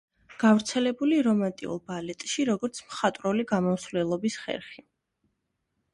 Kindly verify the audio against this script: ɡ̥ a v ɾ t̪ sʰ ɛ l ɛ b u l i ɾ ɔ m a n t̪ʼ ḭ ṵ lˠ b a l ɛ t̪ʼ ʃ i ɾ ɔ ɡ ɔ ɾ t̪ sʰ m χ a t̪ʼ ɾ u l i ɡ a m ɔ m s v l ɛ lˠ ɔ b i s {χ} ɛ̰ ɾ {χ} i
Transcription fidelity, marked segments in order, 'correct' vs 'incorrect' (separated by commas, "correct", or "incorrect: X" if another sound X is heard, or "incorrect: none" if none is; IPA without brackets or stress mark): correct, correct